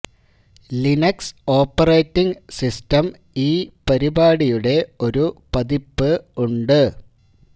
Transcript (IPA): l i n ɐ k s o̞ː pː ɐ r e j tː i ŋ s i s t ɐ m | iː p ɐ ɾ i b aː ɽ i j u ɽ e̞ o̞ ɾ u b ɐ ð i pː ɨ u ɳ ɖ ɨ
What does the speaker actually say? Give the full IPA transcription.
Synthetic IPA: l i n ɐ k s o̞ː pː ɐ r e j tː i ŋ s i s t ɐ m | iː p ɐ ɾ i b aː ɽ i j u ɽ e̞ o̞ ɾ u p ɐ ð i pː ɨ u ɳ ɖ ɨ

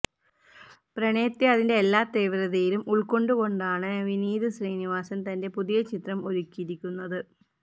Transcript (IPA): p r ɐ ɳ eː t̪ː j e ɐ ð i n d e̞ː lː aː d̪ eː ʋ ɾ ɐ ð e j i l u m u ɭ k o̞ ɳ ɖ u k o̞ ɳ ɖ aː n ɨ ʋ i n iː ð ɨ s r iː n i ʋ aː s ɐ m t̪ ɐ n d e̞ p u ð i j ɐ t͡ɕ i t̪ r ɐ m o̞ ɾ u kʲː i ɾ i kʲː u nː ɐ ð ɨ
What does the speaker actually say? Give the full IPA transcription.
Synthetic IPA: p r ɐ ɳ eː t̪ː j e ɐ ð i n d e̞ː lː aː t̪ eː ʋ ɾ ɐ ð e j i l u m u ɭ k o̞ ɳ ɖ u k o̞ ɳ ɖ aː ɳ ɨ ʋ i n iː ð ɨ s r iː n i ʋ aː s ɐ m t̪ ɐ n d e̞ p u ð i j ɐ t͡ɕ i t̪ r ɐ m o̞ ɾ u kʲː i ɾ i kʲː u nː ɐ ð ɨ

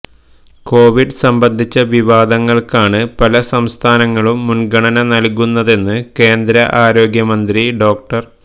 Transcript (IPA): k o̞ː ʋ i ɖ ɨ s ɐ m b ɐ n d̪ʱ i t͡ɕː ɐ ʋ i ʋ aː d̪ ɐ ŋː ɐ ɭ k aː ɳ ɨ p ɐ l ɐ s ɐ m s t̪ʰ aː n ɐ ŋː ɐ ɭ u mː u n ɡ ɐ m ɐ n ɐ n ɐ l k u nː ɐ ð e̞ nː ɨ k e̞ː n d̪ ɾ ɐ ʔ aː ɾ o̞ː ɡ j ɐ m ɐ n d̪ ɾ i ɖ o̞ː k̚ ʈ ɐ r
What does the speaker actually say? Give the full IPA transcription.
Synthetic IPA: k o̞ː ʋ i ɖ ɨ s ɐ m b ɐ n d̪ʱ i t͡ɕː ɐ ʋ i ʋ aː d̪ ɐ ŋː ɐ ɭ k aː ɳ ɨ p ɐ l ɐ s ɐ m s t̪ʰ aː n ɐ ŋː ɐ ɭ u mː u n ɡ ɐ ɳ ɐ n ɐ n ɐ l k u nː ɐ ð e̞ nː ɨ k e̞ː n d̪ ɾ ɐ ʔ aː ɾ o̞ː ɡ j ɐ m ɐ n d̪ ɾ i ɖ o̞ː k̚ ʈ ɐ r

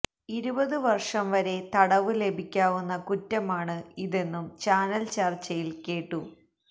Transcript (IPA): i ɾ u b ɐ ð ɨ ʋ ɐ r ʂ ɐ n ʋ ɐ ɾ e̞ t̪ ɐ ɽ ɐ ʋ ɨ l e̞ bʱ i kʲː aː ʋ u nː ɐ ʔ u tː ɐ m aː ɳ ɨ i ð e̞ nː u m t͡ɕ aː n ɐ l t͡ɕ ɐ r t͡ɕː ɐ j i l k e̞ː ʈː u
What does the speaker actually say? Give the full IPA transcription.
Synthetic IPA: i ɾ u b ɐ ð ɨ ʋ ɐ r ʂ ɐ m ʋ ɐ ɾ e̞ t̪ ɐ ɽ ɐ ʋ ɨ l e̞ bʱ i kʲː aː ʋ u nː ɐ k u tː ɐ m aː ɳ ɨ i ð e̞ nː u m t͡ɕ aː n ɐ l t͡ɕ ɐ r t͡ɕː ɐ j i l k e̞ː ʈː u

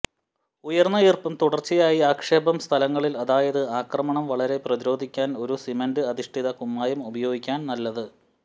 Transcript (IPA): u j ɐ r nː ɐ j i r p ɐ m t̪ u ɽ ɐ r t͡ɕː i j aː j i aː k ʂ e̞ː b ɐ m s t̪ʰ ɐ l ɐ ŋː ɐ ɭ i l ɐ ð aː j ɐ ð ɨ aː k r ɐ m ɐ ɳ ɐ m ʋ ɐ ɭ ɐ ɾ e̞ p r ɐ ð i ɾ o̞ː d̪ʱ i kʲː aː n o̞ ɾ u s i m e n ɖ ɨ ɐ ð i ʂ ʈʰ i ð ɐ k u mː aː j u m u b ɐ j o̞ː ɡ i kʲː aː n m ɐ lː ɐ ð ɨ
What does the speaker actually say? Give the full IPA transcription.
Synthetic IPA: u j ɐ r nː ɐ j i r p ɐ m t̪ u ɽ ɐ r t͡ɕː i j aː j i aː k ʂ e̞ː b ɐ m s t̪ʰ ɐ l ɐ ŋː ɐ ɭ i l ɐ ð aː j ɐ ð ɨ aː k r ɐ m ɐ ɳ ɐ m ʋ ɐ ɭ ɐ ɾ e̞ p r ɐ ð i ɾ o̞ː d̪ʱ i kʲː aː n o̞ ɾ u s i m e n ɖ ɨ ɐ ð i ʂ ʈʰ i ð ɐ k u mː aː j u m u b ɐ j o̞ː ɡ i kʲː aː n n ɐ lː ɐ ð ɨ

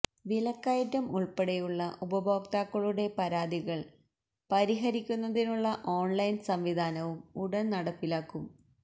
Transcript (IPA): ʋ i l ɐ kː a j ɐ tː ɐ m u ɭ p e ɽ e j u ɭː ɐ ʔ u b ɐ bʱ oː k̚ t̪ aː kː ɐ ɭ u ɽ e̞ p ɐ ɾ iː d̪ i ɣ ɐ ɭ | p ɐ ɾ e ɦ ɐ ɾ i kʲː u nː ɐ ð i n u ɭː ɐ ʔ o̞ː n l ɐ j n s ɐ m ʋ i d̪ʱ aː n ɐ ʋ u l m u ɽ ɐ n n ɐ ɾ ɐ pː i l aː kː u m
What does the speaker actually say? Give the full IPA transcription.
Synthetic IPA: ʋ i l ɐ kː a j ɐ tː ɐ m u ɭ p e ɽ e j u ɭː ɐ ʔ u b ɐ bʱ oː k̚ t̪ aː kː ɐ ɭ u ɽ e̞ p ɐ ɾ aː d̪ i ɣ ɐ ɭ | p ɐ ɾ i ɦ ɐ ɾ i kʲː u nː ɐ ð i n u ɭː ɐ ʔ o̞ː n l ɐ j n s ɐ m ʋ i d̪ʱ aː n ɐ ʋ u m u ɽ ɐ n n ɐ ɽ ɐ pː i l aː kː u m

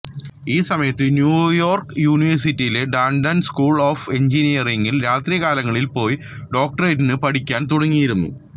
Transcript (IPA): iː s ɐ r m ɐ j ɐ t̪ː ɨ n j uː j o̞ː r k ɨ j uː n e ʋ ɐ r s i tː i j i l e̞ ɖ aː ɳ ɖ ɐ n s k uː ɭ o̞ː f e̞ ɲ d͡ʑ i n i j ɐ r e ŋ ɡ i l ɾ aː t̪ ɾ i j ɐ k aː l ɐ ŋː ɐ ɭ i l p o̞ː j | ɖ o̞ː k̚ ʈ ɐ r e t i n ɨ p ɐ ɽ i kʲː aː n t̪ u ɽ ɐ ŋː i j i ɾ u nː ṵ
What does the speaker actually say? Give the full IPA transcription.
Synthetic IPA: iː s ɐ m ɐ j ɐ t̪ː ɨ n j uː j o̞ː r k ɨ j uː n i ʋ ɐ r s i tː i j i l e̞ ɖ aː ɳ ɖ ɐ n s k uː ɭ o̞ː f e̞ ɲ d͡ʑ i n i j ɐ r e ŋ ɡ i l ɾ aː t̪ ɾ i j ɐ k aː l ɐ ŋː ɐ ɭ i l p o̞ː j | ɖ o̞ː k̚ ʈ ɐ r e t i n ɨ p ɐ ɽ i kʲː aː n t̪ u ɽ ɐ ŋː i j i ɾ u nː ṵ

